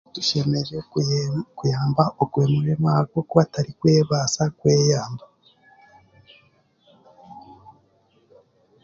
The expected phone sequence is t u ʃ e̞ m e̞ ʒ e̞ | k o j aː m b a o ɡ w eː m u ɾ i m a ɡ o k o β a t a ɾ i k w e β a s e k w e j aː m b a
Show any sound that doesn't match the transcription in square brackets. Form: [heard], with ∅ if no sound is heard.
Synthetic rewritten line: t u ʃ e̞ m e̞ ʒ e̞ | k [u] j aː m b a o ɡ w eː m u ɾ [e] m a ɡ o k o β a t a ɾ i k w e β a s [a] k w e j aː m b a

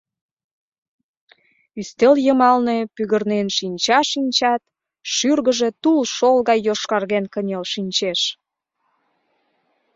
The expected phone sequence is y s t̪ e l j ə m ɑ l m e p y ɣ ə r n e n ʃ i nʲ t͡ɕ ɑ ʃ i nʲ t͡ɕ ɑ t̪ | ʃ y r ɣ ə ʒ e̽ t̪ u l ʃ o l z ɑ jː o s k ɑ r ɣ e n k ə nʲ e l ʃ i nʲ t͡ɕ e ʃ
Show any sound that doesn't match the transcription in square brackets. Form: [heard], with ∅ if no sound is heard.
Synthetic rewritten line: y s t̪ e l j ə m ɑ l [n] e p y ɣ ə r n e n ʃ i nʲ t͡ɕ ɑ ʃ i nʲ t͡ɕ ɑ t̪ | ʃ y r ɣ ə ʒ e̽ t̪ u l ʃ o l [ɣ] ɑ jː o [ʃ] k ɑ r ɣ e n k ə nʲ e l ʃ i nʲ t͡ɕ e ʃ

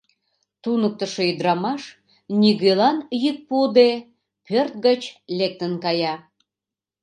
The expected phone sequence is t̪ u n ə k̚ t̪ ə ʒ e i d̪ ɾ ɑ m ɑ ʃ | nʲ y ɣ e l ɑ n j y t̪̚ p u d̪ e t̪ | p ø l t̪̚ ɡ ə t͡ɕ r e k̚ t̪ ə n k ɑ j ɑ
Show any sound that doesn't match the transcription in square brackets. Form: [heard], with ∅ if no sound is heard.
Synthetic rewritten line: t̪ u n ə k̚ t̪ ə [ʃ] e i d̪ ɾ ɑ m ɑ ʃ | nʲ [i] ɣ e l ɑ n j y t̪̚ p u d̪ e [∅] | p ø [r] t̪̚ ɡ ə t͡ɕ [l] e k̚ t̪ ə n k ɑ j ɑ

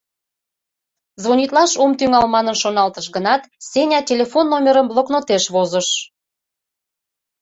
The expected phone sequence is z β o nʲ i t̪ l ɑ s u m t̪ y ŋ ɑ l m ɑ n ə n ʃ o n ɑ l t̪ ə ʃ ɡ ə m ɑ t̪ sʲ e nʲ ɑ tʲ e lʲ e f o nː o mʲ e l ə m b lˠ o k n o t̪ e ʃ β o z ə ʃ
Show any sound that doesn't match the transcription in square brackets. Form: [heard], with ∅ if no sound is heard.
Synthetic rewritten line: z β o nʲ i t̪ l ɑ [ʃ] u m t̪ y ŋ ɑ l m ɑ n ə n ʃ o n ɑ l t̪ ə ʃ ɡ ə [n] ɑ t̪ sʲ e nʲ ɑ tʲ e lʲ e f o nː o mʲ e [ɾ] ə m b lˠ o k n o t̪ e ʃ β o z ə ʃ

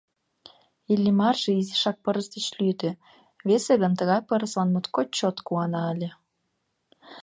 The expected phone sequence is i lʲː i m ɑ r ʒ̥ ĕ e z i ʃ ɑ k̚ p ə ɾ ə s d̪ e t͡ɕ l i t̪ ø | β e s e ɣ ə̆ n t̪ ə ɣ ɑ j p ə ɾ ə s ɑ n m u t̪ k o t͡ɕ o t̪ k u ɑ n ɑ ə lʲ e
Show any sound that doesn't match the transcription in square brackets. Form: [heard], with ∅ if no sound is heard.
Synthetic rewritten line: i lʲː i m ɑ r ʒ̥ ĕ [i] z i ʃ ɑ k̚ p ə ɾ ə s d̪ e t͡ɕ l [y] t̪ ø | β e s e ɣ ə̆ n t̪ ə ɣ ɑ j p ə ɾ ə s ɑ n m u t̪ k o t͡ɕ o t̪ k u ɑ n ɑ ə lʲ e

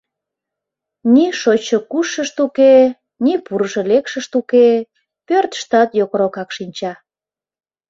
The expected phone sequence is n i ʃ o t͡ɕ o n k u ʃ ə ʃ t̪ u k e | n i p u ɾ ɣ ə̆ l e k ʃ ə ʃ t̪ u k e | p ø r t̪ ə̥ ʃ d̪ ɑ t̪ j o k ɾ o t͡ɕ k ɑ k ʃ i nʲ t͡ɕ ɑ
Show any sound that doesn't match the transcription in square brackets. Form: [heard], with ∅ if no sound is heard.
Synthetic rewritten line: n i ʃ o t͡ɕ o [∅] k u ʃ ə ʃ t̪ u k e | n i p u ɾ [ʒ] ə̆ l e k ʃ ə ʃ t̪ u k e | p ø r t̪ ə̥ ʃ [t̪] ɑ t̪ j o k ɾ o [∅] k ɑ k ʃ i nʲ t͡ɕ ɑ

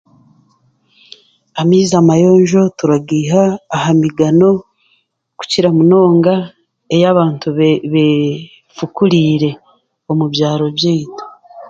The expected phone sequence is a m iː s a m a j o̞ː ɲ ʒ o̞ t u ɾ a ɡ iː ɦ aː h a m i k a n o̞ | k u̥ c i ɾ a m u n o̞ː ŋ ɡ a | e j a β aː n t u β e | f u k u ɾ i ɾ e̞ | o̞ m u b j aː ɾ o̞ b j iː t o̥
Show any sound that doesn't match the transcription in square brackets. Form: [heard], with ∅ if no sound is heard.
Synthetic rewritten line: a m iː [z] a m a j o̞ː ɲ ʒ o̞ t u ɾ a ɡ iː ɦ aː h a m i [ɡ] a n o̞ | k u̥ c i ɾ a m u n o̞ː ŋ ɡ a | e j a β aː n t u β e | f u k u ɾ i ɾ e̞ | o̞ m u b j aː ɾ o̞ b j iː t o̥

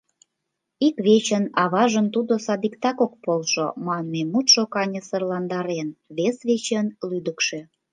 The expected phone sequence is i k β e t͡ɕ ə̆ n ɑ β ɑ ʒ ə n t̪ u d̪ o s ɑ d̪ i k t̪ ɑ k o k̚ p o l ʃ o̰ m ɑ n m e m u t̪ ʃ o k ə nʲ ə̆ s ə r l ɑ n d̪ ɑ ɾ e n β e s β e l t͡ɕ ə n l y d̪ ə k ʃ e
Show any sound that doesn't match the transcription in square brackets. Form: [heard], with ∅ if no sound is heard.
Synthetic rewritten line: i k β e t͡ɕ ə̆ n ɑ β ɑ ʒ ə n t̪ u d̪ o s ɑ d̪ i k t̪ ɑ k o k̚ p o l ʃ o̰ m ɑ n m e m u t̪ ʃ o k [ɑ] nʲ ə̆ s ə r l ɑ n d̪ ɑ ɾ e n β e s β e [∅] t͡ɕ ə n l y d̪ ə k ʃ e

